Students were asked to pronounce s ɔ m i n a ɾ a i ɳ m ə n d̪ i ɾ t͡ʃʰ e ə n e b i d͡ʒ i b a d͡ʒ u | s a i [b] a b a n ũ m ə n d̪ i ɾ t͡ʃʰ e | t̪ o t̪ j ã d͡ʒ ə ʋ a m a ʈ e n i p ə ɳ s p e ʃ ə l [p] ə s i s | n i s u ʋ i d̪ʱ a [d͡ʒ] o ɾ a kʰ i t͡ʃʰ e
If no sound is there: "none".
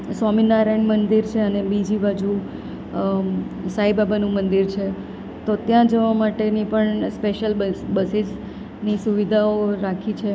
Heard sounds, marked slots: b, b, none

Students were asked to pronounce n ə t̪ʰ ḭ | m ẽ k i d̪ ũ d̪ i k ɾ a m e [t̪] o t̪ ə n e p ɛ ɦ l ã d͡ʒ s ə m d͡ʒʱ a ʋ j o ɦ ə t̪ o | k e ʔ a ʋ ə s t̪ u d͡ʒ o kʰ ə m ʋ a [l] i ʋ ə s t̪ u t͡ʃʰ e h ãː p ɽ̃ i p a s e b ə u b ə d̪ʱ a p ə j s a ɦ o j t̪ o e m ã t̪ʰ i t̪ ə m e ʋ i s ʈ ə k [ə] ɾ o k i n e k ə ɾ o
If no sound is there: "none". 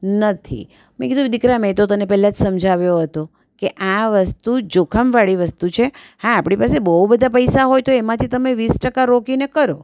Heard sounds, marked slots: t̪, ɭ, a

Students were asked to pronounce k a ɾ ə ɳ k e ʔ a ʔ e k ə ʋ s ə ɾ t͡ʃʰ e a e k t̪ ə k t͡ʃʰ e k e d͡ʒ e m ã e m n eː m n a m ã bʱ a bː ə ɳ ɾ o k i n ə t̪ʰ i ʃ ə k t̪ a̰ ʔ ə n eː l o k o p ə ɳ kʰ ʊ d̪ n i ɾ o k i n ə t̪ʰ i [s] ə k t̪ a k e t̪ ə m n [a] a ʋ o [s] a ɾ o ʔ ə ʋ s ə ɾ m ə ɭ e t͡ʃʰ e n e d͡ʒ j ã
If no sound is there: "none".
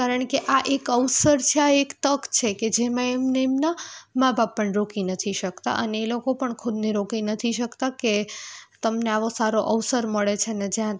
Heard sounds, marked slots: ʃ, e, s

